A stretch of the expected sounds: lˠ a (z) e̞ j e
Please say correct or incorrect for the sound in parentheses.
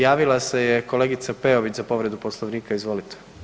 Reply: incorrect